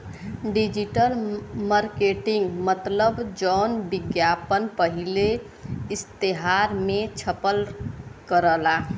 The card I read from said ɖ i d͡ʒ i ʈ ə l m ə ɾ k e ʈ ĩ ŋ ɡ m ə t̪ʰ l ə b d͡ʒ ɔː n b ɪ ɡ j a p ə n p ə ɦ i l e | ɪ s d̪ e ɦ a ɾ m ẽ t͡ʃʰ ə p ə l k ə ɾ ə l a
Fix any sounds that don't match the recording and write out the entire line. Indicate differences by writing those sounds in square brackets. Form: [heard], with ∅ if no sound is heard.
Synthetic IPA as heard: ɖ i d͡ʒ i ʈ ə l m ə ɾ k e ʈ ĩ ŋ ɡ m ə [t̪] l ə b d͡ʒ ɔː n b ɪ ɡ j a p ə n p ə ɦ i l e | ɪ s [t̪] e ɦ a ɾ m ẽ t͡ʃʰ ə p ə l k ə ɾ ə l a